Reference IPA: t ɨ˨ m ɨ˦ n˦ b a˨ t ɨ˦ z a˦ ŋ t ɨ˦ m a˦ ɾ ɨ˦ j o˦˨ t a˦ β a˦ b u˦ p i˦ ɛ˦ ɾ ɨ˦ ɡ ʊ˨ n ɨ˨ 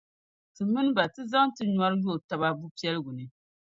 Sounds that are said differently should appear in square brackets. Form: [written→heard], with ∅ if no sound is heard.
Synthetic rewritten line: t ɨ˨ m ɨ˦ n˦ b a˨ t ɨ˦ z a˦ ŋ t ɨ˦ [m→ɲ] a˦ ɾ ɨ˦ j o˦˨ t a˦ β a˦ b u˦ p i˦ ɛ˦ [ɾ→l] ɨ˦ ɡ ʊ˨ n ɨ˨